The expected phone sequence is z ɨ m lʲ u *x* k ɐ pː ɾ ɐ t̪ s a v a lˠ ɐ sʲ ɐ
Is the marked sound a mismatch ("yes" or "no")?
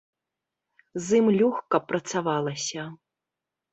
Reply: no